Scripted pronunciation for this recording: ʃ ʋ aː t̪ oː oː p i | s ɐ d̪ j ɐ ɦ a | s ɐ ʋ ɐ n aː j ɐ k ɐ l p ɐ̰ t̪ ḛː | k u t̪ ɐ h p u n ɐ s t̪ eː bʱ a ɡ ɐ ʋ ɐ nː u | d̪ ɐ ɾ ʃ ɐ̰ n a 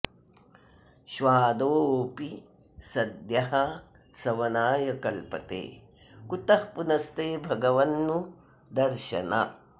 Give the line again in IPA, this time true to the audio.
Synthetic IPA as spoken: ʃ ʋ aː d̪ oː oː p i | s ɐ d̪ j ɐ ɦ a | s ɐ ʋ ɐ n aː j ɐ k ɐ l p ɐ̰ t̪ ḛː | k u t̪ ɐ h p u n ɐ s t̪ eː bʱ ɐ ɡ ɐ ʋ ɐ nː u | d̪ ɐ ɾ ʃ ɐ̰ n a